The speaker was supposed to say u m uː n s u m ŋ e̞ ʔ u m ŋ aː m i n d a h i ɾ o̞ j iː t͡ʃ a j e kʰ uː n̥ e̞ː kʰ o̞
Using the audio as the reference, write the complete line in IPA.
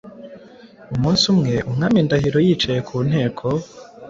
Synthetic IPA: u m uː n s u m ŋ e̞ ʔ u m ŋ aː m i n d a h i ɾ o̞ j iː t͡ʃ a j e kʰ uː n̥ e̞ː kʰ o̞